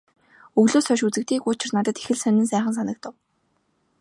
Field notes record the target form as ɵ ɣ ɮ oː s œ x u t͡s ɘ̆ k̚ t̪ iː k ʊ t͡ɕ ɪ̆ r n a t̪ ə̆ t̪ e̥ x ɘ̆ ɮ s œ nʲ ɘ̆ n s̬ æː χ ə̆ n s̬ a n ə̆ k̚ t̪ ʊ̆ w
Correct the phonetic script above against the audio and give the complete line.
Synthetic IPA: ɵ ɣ ɮ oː s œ ʃ u t͡s ɘ̆ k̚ t̪ iː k ʊ t͡ɕ ɪ̆ r n a t̪ ə̆ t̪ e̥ x ɘ̆ ɮ s œ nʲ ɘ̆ n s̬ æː χ ə̆ n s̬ a n ə̆ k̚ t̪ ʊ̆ w